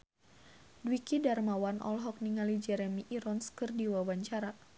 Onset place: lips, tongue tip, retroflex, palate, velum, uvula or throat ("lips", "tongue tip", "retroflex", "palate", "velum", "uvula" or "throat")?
tongue tip